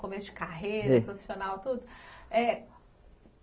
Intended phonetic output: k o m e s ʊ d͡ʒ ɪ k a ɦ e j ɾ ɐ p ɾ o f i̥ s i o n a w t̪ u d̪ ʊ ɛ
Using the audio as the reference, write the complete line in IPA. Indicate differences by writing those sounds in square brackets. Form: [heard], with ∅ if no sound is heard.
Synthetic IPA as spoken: k o m e s ʊ d͡ʒ ɪ k a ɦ e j ɾ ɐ p ɾ o f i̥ s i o n a w t̪ u d̪ ʊ ɛ

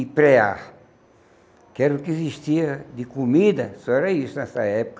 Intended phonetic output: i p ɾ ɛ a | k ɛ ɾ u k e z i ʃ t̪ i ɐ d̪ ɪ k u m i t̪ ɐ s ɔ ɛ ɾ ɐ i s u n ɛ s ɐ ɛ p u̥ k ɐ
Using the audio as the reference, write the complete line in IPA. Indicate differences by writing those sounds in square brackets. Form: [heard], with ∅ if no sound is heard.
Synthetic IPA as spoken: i p ɾ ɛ a | k ɛ ɾ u k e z i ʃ t̪ i ɐ d̪ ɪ k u m i [d̪] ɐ s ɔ ɛ ɾ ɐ i s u n ɛ s ɐ ɛ p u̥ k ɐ

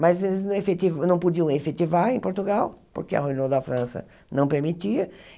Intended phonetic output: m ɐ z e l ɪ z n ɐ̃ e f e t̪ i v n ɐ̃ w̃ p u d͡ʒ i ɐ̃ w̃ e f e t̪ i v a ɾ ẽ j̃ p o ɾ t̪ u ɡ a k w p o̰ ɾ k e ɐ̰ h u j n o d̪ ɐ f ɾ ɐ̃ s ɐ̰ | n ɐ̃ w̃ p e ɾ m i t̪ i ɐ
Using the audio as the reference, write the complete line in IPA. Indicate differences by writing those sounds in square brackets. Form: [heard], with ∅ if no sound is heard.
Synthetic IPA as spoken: m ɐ z e l ɪ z n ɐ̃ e f e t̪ i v n ɐ̃ w̃ p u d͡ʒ i ɐ̃ w̃ e f e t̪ i v a ɾ ẽ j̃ p o ɾ t̪ u ɡ a [∅] w p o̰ ɾ k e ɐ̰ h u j n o d̪ ɐ f ɾ ɐ̃ s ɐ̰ | n ɐ̃ w̃ p e ɾ m i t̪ i ɐ

